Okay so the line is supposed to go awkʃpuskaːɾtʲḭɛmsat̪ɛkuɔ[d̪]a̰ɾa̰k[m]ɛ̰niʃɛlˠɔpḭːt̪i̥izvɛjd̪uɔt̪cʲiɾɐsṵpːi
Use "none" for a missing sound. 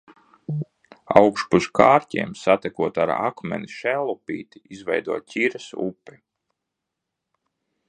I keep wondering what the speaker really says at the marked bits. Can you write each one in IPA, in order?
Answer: t̪, m

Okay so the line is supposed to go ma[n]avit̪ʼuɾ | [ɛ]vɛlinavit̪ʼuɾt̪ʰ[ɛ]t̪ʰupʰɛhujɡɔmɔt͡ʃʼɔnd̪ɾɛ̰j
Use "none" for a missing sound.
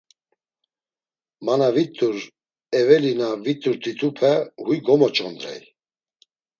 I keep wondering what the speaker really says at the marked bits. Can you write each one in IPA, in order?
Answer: n, ɛ, i

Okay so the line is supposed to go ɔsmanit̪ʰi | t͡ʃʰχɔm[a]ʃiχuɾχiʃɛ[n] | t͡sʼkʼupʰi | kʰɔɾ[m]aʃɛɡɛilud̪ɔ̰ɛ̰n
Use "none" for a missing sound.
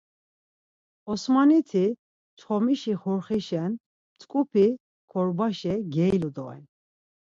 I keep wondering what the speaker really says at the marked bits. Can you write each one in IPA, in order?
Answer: i, n, b

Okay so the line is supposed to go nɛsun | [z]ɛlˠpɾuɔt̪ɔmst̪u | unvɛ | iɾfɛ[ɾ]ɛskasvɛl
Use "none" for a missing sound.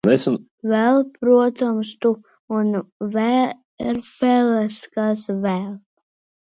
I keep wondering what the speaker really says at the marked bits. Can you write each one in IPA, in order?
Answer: v, l

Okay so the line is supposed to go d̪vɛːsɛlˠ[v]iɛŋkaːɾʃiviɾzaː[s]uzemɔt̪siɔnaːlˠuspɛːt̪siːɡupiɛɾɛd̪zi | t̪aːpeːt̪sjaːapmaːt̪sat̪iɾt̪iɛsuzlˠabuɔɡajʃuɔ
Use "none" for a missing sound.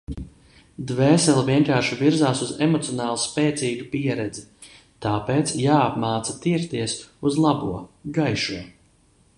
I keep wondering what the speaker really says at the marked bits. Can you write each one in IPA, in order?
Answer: v, s

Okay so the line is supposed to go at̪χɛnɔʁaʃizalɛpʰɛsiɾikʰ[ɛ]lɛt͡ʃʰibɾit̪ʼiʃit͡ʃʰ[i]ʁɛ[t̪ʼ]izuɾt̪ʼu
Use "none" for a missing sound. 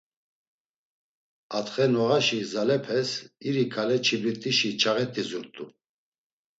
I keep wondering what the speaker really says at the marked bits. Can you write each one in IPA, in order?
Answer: a, a, t̪ʼ

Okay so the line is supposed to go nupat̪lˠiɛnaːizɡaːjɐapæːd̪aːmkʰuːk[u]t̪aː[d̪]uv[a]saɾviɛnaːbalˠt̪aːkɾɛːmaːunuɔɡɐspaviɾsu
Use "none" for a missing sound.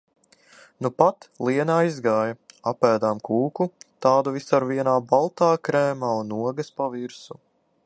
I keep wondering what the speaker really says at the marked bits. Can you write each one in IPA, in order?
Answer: u, d̪, i

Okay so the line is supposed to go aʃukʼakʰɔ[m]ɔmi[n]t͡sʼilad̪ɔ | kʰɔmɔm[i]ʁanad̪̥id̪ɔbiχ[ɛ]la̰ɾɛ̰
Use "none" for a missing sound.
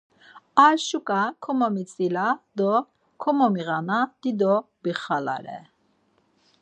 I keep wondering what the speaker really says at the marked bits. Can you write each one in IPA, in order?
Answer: m, none, i, a

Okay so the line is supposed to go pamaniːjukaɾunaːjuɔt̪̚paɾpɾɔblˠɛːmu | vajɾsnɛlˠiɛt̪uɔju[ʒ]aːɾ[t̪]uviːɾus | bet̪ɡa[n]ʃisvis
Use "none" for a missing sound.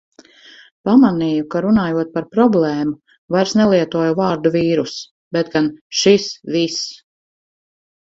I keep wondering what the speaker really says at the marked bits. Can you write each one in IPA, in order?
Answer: v, d̪, n

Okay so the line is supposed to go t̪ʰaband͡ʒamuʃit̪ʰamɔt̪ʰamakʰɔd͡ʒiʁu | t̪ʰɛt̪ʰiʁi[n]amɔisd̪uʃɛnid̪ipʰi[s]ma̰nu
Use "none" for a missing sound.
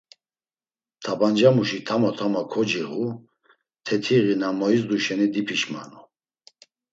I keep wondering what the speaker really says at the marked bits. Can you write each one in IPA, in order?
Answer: n, ʃ

